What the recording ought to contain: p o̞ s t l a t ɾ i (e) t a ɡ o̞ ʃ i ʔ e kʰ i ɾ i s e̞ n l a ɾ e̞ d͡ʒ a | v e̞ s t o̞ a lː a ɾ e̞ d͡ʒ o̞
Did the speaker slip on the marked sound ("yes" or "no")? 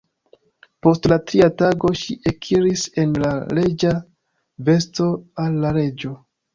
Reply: yes